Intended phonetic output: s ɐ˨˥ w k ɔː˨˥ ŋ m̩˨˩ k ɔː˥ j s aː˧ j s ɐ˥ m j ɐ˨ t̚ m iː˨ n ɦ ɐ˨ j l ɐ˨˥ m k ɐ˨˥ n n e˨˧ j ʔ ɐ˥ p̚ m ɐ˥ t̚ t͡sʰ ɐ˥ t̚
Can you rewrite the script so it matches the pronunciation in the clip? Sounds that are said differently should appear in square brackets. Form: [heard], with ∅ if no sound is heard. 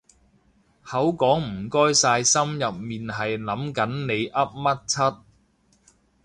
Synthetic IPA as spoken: [h] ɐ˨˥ w k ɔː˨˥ ŋ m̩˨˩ k ɔː˥ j s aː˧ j s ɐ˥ m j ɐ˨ [p̚] m iː˨ n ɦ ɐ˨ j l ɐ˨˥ m k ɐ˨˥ n n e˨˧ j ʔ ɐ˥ p̚ m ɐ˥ t̚ t͡sʰ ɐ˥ t̚